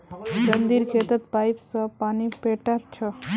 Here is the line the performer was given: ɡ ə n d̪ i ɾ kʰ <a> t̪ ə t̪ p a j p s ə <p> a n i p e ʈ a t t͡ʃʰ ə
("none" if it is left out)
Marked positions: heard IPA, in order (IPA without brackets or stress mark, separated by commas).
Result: e, p